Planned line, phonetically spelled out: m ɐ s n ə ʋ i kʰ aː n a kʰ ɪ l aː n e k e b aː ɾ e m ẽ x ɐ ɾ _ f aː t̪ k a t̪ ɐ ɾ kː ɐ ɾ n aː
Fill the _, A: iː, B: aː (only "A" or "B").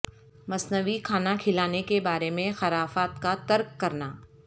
B